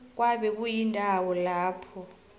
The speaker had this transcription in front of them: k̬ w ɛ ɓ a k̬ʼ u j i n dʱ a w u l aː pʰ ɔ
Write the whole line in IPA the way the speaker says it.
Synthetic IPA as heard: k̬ w a ɓ ɛ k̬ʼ u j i n dʱ a w ɔ l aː pʰ ɔ